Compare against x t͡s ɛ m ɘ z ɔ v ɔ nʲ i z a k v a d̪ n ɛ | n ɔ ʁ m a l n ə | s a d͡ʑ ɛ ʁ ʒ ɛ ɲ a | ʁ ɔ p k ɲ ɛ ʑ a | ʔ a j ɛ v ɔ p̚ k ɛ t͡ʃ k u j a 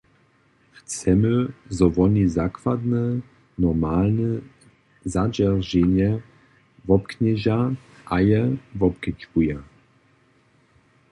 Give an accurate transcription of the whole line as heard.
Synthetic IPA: x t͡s ɛ m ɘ z ɔ v ɔ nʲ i z a k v a d̪ n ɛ | n ɔ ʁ m a l n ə | z a d͡ʑ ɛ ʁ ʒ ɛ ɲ ɛ | v ɔ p k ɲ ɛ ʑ a | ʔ a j ɛ v ɔ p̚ k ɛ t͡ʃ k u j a